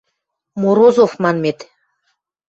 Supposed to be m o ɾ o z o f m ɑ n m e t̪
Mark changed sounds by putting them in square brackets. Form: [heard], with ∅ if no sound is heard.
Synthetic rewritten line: m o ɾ o z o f m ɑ n m e t̪